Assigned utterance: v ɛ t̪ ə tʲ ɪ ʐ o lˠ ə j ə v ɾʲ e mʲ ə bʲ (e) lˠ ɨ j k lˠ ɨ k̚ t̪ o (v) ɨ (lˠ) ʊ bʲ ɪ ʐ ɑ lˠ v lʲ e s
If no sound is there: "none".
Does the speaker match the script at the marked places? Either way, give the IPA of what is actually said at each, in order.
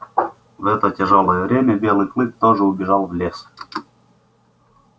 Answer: e, ʐ, none

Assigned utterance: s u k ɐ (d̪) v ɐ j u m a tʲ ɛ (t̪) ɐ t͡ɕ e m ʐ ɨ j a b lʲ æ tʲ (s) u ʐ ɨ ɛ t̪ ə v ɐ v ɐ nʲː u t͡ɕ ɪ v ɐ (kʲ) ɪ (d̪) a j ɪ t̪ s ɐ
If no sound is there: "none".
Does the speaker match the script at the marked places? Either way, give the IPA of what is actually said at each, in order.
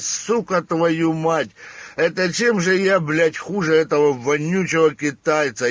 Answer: t̪, t̪, x, kʲ, t̪

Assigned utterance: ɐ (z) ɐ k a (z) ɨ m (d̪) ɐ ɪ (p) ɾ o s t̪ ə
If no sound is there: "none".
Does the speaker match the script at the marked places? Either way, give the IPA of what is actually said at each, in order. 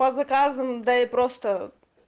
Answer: z, z, d̪, p

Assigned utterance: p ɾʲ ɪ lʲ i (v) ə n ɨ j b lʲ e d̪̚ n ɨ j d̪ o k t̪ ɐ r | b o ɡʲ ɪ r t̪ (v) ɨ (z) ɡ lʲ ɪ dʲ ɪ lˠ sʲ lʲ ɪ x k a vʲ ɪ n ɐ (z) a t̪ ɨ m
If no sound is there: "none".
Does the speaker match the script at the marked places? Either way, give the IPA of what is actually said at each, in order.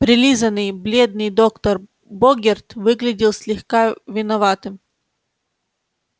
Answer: z, v, none, v

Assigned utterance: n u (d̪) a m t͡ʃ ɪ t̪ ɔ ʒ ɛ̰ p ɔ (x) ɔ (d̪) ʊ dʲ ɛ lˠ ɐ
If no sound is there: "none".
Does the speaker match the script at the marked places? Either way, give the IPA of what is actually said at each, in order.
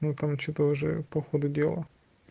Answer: t̪, x, d̪

